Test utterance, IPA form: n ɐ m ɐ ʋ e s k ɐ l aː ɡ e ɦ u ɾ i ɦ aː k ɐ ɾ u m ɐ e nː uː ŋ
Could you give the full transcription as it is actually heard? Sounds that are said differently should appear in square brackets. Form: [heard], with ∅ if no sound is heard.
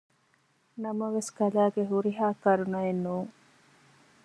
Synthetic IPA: n ɐ m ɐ ʋ e s k ɐ l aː ɡ e ɦ u ɾ i ɦ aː k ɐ ɾ u [n] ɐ e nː uː ŋ